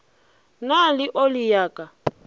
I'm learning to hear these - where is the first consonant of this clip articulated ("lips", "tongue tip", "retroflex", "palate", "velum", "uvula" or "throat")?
tongue tip